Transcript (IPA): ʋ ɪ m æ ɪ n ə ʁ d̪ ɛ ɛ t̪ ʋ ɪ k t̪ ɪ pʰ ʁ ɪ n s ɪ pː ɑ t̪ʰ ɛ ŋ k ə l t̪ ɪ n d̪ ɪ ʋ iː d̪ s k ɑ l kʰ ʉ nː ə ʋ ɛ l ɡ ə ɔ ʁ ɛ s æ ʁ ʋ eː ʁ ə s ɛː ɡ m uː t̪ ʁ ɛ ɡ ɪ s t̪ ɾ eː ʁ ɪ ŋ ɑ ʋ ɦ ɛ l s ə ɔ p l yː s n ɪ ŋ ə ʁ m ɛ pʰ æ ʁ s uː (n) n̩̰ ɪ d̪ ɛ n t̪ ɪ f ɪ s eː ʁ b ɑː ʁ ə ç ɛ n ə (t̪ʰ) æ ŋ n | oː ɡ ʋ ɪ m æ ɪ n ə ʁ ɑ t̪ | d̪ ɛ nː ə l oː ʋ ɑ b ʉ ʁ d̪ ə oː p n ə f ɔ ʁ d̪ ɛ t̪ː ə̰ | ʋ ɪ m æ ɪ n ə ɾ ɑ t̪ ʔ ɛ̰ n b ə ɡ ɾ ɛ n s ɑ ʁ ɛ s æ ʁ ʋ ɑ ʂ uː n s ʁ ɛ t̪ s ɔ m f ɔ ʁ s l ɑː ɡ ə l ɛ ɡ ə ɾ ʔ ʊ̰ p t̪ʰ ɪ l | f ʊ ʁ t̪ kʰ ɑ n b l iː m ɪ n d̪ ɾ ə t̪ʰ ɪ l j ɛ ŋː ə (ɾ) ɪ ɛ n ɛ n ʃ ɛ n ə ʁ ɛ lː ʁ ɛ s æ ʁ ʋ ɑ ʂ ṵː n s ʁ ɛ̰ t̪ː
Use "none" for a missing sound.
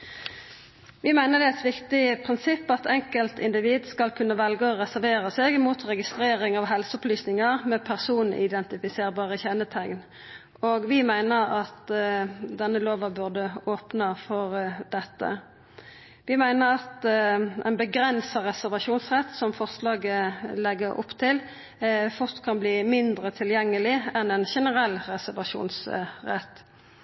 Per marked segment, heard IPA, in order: n, t̪ʰ, l

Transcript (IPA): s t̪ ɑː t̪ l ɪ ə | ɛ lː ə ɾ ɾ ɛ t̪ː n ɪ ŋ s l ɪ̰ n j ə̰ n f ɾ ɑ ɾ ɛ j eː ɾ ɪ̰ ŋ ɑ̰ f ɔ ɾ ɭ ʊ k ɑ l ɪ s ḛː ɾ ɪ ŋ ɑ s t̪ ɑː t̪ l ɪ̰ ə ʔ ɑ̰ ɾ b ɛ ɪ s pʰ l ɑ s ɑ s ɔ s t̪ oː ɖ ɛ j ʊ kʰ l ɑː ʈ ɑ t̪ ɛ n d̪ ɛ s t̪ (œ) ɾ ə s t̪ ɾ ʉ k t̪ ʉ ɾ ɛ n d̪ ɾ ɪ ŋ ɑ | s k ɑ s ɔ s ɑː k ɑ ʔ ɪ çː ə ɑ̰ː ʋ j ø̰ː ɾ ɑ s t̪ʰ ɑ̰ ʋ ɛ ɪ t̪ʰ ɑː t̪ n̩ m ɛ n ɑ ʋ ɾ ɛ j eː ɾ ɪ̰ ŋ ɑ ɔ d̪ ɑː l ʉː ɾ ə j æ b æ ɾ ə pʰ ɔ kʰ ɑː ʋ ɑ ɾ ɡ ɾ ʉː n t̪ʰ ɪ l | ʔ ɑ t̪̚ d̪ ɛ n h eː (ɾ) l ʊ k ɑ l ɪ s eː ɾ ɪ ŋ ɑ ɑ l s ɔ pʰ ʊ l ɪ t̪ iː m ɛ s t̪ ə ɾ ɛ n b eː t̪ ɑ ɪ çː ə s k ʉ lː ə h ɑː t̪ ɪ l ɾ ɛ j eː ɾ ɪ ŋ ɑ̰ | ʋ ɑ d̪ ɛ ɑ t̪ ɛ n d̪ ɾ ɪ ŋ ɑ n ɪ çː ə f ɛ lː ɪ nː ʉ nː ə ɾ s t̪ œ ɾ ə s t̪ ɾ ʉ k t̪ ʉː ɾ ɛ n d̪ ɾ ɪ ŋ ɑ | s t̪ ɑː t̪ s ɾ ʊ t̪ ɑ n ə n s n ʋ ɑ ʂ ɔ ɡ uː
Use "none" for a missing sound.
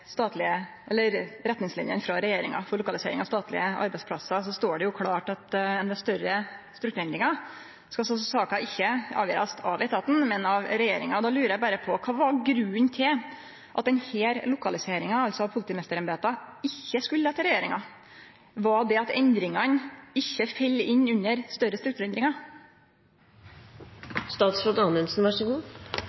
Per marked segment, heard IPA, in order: œ, ɾ

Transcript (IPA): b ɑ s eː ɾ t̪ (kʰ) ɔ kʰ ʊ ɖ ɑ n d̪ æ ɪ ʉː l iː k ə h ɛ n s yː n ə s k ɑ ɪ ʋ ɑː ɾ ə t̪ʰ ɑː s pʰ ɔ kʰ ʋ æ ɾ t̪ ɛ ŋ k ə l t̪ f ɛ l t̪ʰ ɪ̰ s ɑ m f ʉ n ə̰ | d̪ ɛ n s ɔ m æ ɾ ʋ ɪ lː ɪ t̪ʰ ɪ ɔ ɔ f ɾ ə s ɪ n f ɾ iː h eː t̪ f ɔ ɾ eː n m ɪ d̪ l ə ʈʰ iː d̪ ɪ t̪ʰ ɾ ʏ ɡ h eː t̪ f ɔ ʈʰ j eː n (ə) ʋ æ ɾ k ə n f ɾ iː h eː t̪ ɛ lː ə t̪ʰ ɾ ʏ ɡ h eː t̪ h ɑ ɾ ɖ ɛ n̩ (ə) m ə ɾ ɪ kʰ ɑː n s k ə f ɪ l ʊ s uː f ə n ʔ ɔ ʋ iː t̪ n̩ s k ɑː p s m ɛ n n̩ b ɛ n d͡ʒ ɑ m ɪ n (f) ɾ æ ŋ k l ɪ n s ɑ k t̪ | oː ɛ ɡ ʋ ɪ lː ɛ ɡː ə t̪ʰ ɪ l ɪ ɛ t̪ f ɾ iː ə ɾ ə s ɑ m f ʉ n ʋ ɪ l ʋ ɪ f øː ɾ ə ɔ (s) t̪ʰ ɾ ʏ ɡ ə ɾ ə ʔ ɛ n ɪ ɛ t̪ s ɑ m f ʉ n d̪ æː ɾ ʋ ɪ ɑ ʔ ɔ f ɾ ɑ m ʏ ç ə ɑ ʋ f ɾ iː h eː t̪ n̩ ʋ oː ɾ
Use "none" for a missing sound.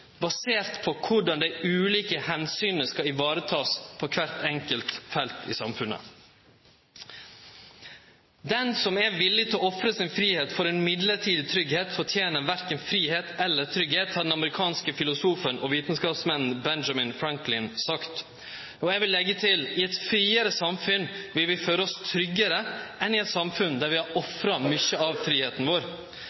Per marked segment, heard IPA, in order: pʰ, ə, ɑ, f, s

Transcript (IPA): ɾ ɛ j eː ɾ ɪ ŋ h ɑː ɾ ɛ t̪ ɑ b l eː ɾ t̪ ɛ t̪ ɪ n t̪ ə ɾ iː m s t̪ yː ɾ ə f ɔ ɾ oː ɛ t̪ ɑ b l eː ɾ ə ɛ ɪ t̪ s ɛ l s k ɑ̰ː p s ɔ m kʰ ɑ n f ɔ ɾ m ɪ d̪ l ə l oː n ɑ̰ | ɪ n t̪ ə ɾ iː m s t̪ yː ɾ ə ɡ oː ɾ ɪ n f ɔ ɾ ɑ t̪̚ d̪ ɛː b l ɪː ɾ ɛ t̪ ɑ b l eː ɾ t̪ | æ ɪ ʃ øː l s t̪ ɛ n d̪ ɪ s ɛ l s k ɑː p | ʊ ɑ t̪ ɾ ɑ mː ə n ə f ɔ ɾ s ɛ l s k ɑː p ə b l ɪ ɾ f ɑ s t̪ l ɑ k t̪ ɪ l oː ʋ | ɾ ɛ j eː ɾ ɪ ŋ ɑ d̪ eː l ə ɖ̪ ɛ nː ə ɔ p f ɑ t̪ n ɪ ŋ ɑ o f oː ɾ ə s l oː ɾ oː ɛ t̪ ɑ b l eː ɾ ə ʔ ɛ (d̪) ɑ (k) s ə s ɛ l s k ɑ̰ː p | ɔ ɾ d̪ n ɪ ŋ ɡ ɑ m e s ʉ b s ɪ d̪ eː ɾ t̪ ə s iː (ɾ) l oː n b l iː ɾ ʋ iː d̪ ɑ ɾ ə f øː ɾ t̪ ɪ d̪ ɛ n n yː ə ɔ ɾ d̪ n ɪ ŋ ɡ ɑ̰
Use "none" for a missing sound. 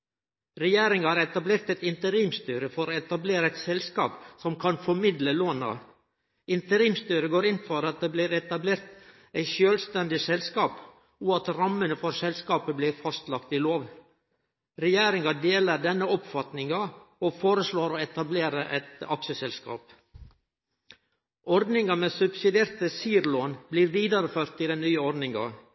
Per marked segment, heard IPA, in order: t̪, k, ɾ

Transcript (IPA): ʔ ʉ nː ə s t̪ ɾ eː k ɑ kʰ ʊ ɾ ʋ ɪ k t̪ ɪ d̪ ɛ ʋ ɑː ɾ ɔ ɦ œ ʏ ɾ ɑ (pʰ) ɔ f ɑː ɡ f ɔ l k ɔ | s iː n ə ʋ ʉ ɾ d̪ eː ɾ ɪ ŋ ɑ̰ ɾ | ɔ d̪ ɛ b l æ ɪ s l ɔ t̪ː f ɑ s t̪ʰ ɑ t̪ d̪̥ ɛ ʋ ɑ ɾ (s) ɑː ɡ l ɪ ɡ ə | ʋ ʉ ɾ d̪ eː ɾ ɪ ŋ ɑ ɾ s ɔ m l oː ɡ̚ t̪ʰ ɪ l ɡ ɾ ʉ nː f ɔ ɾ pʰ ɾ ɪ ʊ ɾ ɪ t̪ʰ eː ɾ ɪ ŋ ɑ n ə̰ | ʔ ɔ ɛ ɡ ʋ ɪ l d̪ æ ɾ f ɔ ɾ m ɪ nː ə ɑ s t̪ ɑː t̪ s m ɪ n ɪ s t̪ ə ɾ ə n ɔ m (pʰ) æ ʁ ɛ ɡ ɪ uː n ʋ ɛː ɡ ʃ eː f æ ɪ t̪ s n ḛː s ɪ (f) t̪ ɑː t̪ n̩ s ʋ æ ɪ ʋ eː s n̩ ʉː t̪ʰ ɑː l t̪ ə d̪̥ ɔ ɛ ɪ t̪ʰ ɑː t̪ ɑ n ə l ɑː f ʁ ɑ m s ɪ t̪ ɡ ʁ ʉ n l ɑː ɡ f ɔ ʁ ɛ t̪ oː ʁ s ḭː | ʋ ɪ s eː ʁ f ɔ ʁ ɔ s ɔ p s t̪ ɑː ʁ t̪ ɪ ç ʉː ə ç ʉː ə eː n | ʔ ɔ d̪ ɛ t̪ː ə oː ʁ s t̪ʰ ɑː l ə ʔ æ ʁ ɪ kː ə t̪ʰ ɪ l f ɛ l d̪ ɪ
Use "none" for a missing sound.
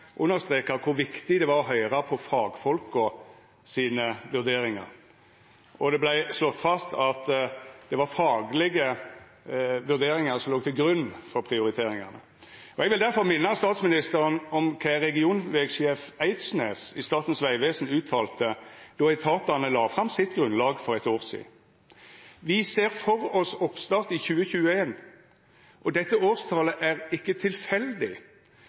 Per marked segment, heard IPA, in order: pʰ, f, kʰ, s

